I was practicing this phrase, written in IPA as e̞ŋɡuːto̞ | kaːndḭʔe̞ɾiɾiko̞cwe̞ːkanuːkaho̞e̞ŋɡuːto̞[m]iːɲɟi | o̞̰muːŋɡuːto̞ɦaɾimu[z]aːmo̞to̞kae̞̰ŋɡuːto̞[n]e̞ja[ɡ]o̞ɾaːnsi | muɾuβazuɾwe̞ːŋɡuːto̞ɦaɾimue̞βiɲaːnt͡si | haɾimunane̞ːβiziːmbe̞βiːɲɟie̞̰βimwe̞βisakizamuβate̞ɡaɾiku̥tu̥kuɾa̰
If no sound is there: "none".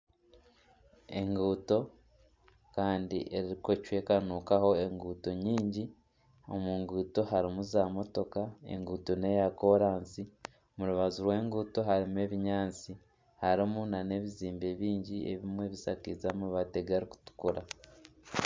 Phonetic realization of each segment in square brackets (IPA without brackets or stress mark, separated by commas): ɲ, z, n, k